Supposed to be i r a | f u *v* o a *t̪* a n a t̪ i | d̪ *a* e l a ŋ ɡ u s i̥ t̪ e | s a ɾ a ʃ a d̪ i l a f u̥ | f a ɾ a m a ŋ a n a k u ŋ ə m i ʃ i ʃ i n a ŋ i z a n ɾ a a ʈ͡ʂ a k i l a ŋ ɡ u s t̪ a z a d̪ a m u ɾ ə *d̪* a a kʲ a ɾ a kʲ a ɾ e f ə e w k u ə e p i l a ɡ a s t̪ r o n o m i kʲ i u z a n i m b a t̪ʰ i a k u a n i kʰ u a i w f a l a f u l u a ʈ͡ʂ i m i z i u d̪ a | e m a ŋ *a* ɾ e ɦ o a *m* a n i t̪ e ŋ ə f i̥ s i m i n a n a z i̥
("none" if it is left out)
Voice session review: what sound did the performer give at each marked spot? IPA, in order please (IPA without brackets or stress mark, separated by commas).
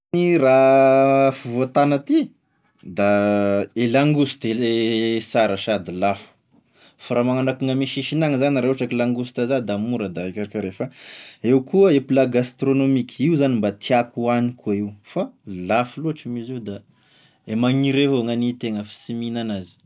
v, t̪, a, d̪, i, ŋ